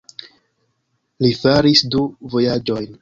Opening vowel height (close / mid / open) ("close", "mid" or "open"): close